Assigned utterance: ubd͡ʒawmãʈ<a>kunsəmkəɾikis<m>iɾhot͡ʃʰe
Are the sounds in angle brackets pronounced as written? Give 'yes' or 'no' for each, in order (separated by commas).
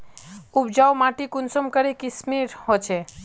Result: no, yes